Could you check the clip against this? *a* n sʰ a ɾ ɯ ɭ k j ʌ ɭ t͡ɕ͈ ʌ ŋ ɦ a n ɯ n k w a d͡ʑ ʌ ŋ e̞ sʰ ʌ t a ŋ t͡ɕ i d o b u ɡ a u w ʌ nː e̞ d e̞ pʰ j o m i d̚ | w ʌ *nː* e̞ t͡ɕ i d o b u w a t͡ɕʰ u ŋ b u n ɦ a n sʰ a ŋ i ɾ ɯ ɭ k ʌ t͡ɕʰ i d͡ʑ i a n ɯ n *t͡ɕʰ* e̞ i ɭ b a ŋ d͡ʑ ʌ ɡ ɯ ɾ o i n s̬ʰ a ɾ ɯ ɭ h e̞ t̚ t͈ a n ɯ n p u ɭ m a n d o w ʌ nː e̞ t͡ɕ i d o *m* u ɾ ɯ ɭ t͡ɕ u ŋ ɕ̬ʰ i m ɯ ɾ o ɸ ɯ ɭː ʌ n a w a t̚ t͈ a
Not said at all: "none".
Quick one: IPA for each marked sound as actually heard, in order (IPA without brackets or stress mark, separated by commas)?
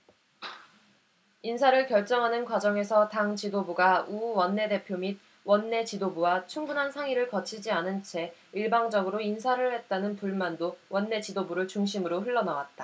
i, nː, t͡ɕʰ, b